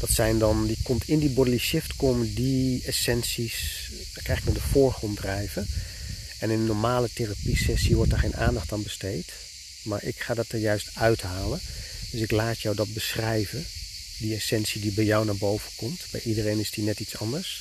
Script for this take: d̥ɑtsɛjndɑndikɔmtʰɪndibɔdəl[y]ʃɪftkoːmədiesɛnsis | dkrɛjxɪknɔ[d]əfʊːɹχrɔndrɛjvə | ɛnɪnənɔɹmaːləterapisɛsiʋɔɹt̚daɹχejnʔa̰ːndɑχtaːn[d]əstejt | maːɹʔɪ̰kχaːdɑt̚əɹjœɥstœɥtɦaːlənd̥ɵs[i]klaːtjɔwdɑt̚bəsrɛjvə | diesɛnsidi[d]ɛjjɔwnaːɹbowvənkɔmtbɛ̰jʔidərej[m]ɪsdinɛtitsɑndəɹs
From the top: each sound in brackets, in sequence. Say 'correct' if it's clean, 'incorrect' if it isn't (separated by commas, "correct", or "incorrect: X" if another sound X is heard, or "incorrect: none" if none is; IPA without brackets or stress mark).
incorrect: i, correct, incorrect: b, incorrect: ɪ, incorrect: b, incorrect: n